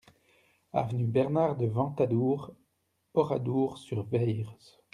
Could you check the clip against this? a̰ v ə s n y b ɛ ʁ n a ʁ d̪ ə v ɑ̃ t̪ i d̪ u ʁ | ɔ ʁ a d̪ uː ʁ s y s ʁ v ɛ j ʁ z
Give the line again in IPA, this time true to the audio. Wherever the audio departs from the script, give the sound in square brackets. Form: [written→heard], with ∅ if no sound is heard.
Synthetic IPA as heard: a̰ v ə [s→∅] n y b ɛ ʁ n a ʁ d̪ ə v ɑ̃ t̪ [i→a] d̪ u ʁ | ɔ ʁ a d̪ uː ʁ s y [s→∅] ʁ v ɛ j ʁ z